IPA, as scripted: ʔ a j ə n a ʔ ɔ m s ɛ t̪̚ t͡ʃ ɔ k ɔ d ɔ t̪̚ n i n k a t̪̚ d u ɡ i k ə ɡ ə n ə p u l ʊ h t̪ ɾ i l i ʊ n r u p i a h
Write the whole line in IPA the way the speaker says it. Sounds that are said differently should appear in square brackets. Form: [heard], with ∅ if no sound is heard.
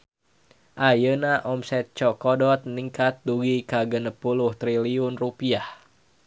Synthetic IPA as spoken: ʔ a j ə n a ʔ ɔ m s ɛ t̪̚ t͡ʃ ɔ k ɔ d ɔ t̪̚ n i [ŋ] k a t̪̚ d u ɡ i k [a] ɡ ə n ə p u l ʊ h t̪ ɾ i l i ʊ n r u p i a h